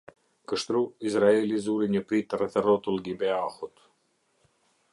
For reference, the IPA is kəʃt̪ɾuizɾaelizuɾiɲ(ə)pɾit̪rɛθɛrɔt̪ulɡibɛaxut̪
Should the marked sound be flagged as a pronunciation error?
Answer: no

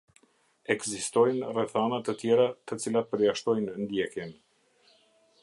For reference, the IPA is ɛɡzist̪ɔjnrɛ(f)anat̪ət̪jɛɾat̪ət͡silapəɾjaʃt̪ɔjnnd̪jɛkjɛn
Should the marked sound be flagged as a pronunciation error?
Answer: yes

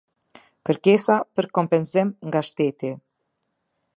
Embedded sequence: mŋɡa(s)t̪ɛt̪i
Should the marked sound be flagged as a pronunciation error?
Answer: yes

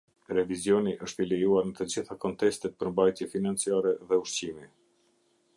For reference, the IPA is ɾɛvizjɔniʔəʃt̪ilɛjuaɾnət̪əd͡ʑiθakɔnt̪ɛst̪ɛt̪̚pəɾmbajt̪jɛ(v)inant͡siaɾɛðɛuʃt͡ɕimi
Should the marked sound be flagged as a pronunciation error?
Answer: yes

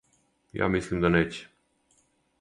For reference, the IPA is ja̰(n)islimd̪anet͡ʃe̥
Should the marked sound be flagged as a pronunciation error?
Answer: yes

